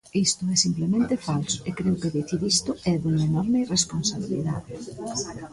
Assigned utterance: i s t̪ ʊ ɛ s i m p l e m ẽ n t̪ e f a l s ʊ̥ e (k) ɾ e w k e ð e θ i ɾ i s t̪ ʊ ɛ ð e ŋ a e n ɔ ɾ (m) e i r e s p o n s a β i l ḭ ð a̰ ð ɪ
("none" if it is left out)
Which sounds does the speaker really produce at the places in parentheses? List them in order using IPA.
k, m

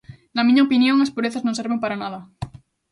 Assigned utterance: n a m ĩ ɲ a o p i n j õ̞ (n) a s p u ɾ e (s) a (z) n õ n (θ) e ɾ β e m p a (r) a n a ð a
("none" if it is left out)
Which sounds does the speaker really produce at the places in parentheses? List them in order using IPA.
ŋ, θ, z, s, ɾ

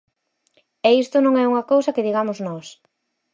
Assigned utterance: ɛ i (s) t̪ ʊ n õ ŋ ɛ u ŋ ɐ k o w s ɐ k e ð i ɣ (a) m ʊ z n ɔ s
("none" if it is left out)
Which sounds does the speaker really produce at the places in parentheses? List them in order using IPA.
s, a

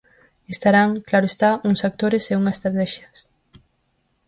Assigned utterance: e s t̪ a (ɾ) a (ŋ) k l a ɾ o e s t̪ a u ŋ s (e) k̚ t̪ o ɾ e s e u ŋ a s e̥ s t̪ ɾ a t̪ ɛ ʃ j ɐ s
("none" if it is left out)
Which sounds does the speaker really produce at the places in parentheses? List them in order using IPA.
ɾ, ŋ, a

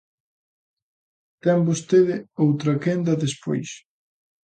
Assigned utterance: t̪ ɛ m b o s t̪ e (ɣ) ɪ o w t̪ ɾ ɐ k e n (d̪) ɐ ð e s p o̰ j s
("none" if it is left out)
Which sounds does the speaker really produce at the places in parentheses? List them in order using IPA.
ð, d̪

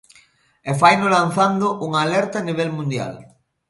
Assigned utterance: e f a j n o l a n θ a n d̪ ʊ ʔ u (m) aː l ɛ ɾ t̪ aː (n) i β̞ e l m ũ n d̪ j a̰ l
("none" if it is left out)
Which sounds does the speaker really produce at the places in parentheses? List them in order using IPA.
ŋ, n

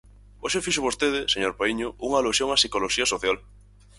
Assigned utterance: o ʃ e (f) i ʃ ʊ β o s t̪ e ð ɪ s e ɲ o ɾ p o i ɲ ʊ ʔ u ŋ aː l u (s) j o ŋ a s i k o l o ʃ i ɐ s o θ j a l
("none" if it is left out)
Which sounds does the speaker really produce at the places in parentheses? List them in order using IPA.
f, s

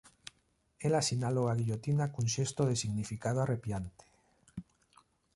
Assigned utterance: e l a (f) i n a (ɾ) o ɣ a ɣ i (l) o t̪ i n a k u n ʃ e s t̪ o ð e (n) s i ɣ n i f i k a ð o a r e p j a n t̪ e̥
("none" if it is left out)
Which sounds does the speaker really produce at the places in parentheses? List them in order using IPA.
s, l, ʎ, none

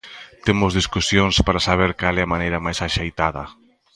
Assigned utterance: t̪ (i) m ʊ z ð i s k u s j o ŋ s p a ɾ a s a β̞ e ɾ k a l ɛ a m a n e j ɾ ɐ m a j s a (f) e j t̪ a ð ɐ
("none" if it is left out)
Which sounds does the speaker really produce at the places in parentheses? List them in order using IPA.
e, ʃ

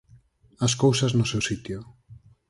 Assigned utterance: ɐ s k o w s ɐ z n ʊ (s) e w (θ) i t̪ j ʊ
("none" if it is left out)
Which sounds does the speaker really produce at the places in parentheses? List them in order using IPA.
s, s

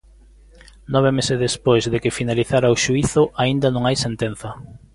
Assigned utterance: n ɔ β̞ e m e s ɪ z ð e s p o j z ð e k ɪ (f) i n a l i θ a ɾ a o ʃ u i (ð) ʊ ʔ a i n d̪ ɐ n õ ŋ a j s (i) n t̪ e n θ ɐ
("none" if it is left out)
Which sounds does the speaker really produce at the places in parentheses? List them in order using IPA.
f, θ, e

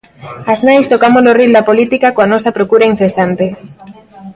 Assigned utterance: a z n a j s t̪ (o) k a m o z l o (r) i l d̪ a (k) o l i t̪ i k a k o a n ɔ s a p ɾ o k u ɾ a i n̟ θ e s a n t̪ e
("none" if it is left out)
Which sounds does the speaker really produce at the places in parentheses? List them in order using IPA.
o, r, p

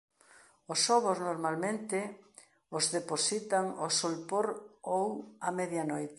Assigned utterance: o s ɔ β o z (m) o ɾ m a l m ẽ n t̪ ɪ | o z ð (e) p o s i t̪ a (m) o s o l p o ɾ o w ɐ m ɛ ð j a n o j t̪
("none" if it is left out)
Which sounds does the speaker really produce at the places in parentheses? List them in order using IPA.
n, e, ŋ

